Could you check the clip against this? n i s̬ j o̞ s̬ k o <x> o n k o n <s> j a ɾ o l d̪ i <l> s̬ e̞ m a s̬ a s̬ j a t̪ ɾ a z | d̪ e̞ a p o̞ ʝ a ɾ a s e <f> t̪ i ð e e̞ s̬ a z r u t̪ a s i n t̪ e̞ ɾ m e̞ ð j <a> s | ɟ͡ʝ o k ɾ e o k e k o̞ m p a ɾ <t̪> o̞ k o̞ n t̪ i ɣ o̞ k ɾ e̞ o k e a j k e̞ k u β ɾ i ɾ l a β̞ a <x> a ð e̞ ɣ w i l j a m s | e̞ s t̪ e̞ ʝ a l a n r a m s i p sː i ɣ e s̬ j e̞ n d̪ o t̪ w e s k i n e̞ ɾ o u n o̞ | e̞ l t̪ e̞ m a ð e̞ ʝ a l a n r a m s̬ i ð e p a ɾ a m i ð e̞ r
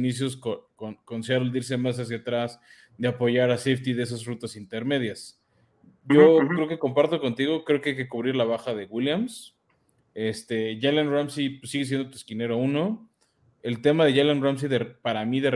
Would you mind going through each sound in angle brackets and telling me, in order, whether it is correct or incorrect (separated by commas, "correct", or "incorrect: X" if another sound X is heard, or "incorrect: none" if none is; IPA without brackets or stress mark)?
incorrect: k, correct, incorrect: ɾ, correct, correct, correct, correct